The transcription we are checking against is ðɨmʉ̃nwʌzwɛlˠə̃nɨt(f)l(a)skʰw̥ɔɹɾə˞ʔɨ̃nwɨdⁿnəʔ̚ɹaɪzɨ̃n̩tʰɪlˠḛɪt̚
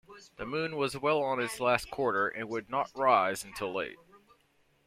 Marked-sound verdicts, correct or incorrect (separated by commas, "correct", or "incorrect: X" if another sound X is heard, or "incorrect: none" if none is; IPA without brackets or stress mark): incorrect: s, incorrect: æ